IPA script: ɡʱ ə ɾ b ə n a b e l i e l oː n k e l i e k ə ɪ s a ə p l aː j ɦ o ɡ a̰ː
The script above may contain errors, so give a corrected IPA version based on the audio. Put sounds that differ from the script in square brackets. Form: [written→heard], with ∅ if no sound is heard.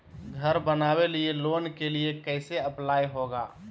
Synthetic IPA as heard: ɡʱ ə ɾ b ə n a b e l i e l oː n k e l i e k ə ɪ s [a→e] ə p l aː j ɦ o ɡ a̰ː